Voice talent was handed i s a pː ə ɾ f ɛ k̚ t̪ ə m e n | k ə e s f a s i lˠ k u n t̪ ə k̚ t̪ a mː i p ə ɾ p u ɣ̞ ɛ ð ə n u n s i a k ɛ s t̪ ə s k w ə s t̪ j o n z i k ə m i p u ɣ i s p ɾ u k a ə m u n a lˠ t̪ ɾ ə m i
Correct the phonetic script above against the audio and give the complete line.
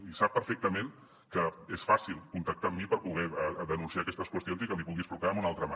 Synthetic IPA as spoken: i s a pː ə ɾ f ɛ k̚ t̪ ə m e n | k ə e s f a s i lˠ k u n t̪ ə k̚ t̪ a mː i p ə ɾ p u ɣ̞ ɛ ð ə n u n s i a k ɛ s t̪ ə s k w ə s t̪ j o n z i k ə m i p u ɣ i s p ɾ u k a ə m u n a lˠ t̪ ɾ ə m a